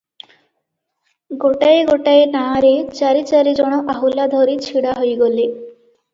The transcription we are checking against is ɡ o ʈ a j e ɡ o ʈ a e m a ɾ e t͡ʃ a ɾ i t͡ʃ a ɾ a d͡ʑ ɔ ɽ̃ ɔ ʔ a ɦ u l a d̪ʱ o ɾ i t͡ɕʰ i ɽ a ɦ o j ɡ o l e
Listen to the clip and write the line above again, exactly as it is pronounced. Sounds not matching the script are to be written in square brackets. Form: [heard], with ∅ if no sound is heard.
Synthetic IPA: ɡ o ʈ a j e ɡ o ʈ a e [n] a ɾ e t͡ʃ a ɾ i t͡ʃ a ɾ [i] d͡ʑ ɔ ɽ̃ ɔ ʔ a ɦ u l a d̪ʱ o ɾ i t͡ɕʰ i ɽ a ɦ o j ɡ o l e